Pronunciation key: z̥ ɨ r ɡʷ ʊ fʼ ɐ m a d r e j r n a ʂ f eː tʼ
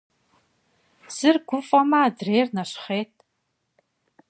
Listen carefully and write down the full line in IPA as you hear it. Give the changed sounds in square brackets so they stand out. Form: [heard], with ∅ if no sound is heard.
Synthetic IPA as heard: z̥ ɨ r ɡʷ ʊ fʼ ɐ m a d r e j r n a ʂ [χ] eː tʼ